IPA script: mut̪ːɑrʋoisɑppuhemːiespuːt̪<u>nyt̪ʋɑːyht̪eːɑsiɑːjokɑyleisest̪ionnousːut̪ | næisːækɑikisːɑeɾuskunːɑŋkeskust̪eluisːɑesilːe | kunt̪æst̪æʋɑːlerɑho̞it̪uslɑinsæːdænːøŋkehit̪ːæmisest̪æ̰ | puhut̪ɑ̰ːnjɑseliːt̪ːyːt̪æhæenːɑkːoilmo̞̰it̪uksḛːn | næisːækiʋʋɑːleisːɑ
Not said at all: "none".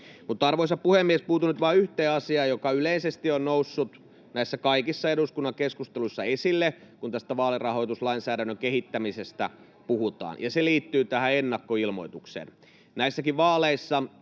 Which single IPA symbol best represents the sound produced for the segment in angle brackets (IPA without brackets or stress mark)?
u